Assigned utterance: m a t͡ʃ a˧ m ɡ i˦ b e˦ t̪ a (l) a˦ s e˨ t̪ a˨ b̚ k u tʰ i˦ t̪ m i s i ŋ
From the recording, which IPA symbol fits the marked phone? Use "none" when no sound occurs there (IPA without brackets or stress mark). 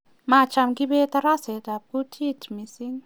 ɾ